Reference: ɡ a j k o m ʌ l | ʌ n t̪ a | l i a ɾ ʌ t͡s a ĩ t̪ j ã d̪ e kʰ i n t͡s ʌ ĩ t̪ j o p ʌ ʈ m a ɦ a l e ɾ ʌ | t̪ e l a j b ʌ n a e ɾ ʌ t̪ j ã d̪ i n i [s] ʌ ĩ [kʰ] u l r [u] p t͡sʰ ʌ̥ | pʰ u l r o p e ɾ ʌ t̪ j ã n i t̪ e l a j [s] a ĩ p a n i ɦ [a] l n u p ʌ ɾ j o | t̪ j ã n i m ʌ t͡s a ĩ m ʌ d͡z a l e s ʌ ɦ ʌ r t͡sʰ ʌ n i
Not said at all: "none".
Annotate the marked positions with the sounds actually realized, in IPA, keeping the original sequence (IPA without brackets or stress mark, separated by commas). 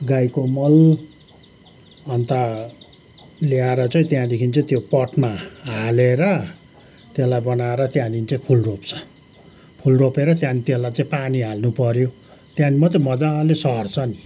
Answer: t͡s, pʰ, o, t͡s, a